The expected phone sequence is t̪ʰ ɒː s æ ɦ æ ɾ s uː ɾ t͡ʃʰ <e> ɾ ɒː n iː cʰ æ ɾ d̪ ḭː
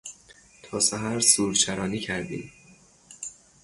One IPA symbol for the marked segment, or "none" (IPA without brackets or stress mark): æ